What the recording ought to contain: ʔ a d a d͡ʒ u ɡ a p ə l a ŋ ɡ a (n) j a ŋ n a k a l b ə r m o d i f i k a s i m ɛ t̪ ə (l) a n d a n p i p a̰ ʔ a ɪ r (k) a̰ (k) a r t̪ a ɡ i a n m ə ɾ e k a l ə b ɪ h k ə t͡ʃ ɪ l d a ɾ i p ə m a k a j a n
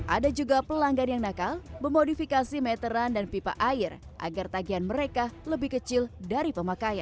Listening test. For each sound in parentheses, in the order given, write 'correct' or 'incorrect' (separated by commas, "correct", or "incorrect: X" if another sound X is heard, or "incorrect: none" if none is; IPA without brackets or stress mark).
correct, incorrect: ɾ, incorrect: ʔ, incorrect: ɡ